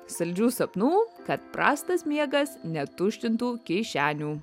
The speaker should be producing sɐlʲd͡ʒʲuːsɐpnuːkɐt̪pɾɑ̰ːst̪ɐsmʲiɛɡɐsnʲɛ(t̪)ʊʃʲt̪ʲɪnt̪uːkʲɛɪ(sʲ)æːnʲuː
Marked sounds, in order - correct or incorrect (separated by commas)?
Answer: correct, incorrect